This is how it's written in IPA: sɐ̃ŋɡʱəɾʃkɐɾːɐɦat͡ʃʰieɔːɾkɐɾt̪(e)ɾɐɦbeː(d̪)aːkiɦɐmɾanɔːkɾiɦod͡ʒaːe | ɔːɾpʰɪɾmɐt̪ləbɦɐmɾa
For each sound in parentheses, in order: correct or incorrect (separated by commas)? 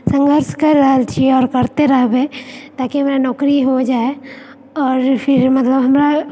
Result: correct, incorrect